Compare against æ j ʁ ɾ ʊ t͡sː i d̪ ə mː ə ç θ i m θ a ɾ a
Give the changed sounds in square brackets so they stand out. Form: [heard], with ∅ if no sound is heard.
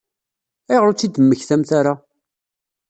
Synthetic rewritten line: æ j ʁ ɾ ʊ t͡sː i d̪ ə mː ə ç θ [æ] m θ a ɾ a